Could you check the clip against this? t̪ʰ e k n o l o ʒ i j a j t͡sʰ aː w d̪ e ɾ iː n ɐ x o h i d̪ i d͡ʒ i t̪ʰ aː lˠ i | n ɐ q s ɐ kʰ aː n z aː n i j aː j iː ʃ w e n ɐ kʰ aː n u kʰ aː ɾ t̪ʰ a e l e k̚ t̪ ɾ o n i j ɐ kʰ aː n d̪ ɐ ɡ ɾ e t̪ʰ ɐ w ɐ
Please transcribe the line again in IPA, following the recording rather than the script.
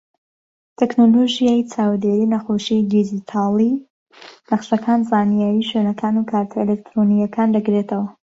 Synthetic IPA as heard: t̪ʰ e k n o l o ʒ i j a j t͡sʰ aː w d̪ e ɾ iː n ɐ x o ʃ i d̪ i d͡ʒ i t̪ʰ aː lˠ i | n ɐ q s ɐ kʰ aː n z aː n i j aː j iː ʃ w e n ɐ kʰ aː n u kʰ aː ɾ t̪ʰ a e l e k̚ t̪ ɾ o n i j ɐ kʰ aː n d̪ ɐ ɡ ɾ e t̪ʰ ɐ w ɐ